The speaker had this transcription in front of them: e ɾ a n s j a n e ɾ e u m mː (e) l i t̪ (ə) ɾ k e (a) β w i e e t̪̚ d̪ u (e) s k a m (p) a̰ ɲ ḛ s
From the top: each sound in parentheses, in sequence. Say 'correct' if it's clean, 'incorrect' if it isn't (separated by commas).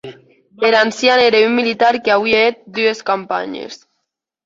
incorrect, incorrect, correct, correct, correct